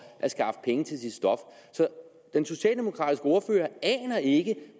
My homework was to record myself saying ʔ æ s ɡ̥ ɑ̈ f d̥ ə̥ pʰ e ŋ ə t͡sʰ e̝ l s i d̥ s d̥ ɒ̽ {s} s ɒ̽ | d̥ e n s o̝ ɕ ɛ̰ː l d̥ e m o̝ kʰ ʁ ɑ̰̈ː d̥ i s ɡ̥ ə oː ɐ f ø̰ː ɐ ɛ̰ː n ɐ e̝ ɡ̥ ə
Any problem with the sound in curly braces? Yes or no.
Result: yes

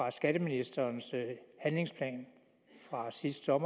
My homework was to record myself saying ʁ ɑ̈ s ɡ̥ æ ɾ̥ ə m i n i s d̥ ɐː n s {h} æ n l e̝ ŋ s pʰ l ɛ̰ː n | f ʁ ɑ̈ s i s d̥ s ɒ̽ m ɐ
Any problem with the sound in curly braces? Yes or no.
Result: no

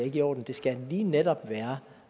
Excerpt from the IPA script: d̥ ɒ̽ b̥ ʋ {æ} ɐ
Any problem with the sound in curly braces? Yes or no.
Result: yes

